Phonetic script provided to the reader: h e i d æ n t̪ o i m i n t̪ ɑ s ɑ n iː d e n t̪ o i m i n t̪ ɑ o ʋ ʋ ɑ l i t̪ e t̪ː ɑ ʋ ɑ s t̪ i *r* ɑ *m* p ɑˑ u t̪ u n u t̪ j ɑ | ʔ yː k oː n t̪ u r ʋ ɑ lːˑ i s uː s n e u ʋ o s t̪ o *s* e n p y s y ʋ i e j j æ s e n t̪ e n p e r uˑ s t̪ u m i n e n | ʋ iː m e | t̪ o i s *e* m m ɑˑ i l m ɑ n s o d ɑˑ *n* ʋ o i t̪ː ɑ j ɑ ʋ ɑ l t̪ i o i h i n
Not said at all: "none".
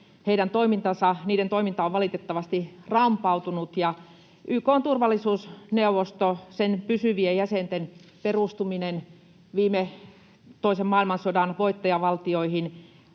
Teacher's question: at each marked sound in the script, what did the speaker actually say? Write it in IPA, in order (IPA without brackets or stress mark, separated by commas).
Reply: r, m, s, e, n